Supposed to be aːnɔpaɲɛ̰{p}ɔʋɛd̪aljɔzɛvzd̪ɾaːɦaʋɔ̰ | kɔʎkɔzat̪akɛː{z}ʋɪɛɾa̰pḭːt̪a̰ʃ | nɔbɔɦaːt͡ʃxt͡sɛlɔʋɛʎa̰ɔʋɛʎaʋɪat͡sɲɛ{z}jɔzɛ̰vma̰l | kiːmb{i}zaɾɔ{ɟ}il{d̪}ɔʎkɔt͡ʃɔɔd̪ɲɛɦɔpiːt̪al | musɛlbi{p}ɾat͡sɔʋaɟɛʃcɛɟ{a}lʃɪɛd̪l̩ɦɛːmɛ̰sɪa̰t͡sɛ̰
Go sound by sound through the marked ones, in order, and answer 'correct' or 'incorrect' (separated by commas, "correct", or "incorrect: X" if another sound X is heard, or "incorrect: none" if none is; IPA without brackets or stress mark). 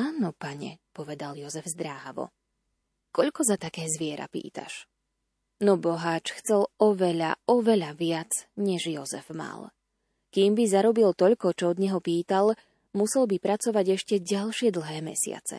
correct, correct, incorrect: ʒ, correct, incorrect: b, incorrect: t̪, correct, correct